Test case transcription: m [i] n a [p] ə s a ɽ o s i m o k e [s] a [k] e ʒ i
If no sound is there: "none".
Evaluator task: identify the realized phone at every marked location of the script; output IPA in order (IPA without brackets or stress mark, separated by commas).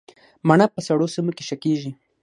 a, p, ʃ, k